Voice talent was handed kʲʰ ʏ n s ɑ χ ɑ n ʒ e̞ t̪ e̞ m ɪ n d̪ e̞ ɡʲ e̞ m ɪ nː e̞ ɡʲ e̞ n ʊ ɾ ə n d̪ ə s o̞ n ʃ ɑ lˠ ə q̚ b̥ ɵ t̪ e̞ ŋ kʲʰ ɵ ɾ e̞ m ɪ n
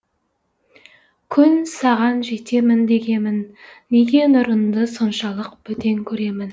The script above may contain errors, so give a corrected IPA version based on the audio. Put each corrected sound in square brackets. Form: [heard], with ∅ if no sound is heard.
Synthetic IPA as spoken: kʲʰ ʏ n s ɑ [ʁ] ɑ n ʒ e̞ t̪ e̞ m ɪ n d̪ e̞ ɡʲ e̞ m ɪ nː e̞ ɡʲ e̞ n ʊ ɾ ə n d̪ ə s o̞ n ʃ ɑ lˠ ə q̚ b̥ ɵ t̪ e̞ ŋ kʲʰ ɵ ɾ e̞ m ɪ n